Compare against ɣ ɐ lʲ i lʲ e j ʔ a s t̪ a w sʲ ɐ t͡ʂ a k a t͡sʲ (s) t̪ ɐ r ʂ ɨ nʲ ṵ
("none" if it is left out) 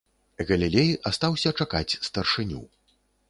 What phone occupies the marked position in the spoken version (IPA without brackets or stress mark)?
s